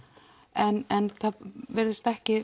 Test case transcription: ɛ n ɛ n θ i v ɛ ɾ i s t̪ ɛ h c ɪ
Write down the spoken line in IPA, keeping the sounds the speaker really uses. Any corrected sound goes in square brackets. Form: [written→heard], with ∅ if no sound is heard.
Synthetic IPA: ɛ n ɛ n θ [i→a] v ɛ ɾ [i→ɪ] s t̪ ɛ h c ɪ